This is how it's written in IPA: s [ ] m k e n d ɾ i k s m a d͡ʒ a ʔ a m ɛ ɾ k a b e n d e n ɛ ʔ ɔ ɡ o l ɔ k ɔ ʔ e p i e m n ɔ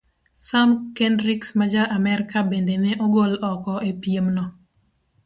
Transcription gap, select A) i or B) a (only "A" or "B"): B